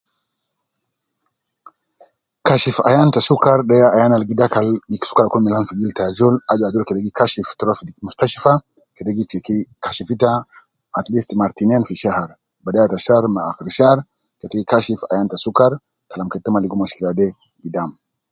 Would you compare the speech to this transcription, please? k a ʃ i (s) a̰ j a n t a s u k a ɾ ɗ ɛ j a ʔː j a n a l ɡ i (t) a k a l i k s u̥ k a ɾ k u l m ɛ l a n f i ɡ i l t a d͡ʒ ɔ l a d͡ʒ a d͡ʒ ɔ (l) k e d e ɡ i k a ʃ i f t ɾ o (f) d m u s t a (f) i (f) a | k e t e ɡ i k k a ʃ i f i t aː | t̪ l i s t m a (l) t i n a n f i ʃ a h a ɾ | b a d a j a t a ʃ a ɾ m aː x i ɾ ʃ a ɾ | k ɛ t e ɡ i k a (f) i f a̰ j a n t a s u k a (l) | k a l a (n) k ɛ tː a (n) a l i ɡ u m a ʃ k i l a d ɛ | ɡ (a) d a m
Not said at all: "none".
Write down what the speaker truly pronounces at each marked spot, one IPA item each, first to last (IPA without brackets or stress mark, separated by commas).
f, d, l, f, ʃ, f, ɾ, ʃ, ɾ, m, m, i